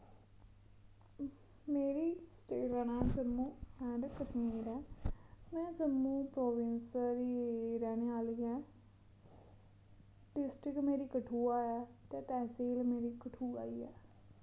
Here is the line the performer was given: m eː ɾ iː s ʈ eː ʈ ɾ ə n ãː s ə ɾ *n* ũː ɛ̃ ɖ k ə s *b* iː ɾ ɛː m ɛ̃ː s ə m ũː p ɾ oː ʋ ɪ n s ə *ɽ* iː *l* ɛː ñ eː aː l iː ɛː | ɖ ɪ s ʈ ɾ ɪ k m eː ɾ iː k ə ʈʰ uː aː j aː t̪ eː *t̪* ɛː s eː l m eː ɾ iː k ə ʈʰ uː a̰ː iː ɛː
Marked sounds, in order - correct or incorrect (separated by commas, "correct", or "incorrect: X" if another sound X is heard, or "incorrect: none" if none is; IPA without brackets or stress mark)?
incorrect: m, incorrect: m, incorrect: ɾ, incorrect: ɾ, correct